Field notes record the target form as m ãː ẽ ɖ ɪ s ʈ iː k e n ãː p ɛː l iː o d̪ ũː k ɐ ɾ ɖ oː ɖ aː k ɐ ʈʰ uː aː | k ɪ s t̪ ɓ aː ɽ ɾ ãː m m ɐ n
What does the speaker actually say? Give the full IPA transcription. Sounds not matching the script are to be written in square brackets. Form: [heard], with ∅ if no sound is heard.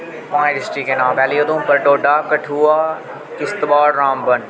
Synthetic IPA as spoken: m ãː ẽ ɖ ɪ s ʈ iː k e n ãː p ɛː l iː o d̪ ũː [p] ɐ ɾ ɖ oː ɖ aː k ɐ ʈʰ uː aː | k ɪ s t̪ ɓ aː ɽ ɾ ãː m [b] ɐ n